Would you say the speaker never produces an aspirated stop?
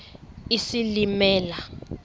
yes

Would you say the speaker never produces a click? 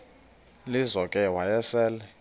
yes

